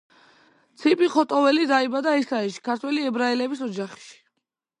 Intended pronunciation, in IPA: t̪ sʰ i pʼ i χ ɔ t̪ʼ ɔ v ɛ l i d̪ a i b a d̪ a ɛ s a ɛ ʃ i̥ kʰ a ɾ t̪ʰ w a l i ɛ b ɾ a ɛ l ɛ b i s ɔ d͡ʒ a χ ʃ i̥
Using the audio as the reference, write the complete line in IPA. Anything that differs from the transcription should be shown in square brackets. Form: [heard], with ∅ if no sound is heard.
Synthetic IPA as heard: t̪ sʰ i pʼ i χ ɔ t̪ʼ ɔ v ɛ l i d̪ a i b a d̪ a ɛ s a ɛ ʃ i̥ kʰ a ɾ t̪ʰ w [ɛ] l i ɛ b ɾ a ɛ l ɛ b i s ɔ d͡ʒ a χ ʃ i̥